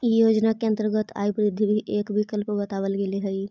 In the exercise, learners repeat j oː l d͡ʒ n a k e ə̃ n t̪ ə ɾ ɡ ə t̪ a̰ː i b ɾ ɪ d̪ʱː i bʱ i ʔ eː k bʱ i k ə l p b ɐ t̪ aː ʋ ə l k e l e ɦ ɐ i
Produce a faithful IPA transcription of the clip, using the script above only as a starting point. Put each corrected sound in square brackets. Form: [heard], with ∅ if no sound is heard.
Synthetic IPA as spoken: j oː [∅] d͡ʒ n a k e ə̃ n t̪ ə ɾ ɡ ə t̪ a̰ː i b ɾ ɪ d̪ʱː i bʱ i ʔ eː k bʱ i k ə l p b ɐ t̪ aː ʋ ə l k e l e ɦ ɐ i